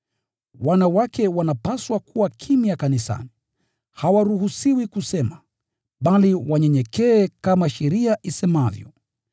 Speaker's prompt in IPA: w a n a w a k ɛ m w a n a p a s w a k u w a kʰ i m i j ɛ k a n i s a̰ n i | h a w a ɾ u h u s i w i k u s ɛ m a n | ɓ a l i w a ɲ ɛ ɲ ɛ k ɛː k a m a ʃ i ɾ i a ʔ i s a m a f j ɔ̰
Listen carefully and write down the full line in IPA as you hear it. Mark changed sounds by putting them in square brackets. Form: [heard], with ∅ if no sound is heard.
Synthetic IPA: w a n a w a k ɛ [∅] w a n a p a s w a k u w a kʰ i m i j [a] k a n i s a̰ n i | h a w a ɾ u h u s i w i k u s ɛ m a [∅] | ɓ a l i w a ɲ ɛ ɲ ɛ k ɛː k a m a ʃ [ɛ] ɾ i a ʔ i s [ɛ] m a [v] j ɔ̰